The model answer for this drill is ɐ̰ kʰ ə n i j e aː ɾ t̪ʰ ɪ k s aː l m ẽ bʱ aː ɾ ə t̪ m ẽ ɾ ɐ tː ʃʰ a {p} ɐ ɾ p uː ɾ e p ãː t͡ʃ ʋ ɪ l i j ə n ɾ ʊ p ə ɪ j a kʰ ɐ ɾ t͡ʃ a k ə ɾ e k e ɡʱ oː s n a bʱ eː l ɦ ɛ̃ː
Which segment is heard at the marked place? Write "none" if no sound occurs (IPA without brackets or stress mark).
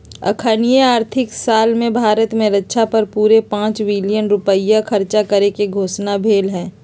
p